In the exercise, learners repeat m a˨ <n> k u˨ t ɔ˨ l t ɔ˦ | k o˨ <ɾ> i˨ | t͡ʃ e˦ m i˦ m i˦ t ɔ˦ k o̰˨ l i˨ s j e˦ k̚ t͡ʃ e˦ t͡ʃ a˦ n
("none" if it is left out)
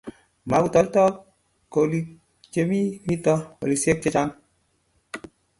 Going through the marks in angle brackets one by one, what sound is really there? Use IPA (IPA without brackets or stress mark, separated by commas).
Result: none, l